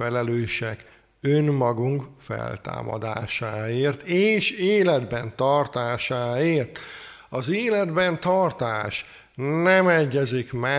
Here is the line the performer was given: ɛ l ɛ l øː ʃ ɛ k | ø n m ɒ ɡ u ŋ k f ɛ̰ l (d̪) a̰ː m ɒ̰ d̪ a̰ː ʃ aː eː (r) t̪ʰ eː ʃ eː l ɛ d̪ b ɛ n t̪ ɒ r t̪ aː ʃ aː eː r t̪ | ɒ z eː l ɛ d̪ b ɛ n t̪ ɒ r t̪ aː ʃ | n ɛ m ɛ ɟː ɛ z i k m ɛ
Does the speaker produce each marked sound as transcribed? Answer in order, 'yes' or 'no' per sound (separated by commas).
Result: no, yes